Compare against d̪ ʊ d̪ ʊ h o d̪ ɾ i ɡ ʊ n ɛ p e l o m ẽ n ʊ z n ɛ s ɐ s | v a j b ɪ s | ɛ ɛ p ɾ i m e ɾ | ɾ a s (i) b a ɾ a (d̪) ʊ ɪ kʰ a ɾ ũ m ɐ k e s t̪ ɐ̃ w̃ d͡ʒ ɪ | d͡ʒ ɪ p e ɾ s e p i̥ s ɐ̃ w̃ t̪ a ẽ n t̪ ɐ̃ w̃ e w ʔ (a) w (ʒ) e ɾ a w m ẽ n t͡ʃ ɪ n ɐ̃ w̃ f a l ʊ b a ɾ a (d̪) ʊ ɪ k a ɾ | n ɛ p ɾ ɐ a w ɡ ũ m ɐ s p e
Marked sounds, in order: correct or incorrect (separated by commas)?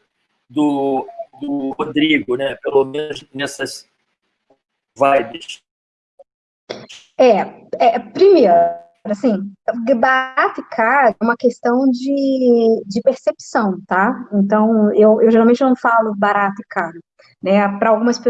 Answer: incorrect, incorrect, incorrect, correct, incorrect